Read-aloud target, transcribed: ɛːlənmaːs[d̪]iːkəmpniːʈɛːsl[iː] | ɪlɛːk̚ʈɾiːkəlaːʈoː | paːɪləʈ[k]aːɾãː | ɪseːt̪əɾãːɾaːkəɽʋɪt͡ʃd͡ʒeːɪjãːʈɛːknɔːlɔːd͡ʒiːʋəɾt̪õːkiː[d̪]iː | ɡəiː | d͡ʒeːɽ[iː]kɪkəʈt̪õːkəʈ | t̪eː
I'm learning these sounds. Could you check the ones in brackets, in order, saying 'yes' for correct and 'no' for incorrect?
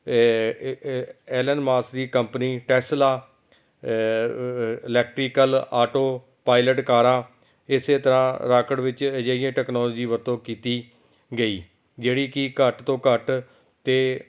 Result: yes, no, yes, no, yes

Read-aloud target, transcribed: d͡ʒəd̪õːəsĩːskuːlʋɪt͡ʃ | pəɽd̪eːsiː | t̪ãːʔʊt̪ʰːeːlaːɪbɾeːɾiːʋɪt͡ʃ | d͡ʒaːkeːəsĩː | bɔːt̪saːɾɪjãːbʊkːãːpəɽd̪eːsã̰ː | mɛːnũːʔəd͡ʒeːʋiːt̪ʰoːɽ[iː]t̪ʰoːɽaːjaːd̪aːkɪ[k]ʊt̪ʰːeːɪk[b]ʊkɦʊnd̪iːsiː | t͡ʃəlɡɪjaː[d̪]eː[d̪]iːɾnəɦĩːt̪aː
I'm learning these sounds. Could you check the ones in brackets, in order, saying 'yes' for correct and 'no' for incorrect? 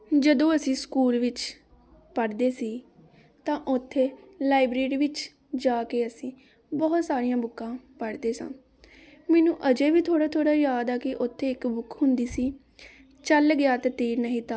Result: no, no, yes, no, no

